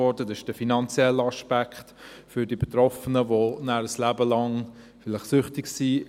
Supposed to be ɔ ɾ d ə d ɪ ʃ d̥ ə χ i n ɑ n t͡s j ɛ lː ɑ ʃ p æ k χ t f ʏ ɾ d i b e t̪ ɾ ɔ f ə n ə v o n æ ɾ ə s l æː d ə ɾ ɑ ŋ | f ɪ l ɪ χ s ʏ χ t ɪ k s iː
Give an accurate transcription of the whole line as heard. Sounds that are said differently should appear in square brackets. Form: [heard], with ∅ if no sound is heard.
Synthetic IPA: ɔ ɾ d ə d ɪ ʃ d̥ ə [f] i n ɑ n t͡s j ɛ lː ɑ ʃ p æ k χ t f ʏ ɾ d i b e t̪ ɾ ɔ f ə n ə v o n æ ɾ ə s l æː [b] ə [l] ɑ ŋ | f ɪ l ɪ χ s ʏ χ t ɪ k s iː